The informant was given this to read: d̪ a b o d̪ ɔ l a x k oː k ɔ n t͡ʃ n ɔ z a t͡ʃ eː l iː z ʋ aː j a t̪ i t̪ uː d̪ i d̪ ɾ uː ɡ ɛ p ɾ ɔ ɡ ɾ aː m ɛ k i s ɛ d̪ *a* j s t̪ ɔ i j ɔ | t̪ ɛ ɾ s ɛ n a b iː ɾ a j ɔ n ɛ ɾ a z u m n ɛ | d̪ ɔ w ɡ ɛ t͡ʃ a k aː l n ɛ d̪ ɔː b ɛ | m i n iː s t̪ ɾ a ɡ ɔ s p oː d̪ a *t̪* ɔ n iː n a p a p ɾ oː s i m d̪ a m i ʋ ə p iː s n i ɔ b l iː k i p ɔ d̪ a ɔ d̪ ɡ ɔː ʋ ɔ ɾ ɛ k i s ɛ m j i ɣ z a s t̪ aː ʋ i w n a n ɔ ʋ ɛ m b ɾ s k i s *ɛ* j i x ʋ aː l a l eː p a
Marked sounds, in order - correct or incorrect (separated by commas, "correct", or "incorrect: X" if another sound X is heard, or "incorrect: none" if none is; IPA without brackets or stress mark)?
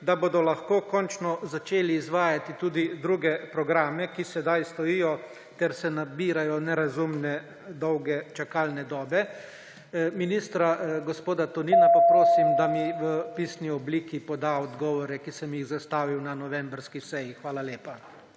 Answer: correct, correct, correct